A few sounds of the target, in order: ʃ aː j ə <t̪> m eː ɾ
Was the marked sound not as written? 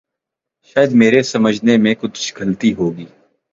yes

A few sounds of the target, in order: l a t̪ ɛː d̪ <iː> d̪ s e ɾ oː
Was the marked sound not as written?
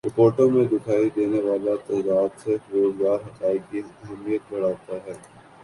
yes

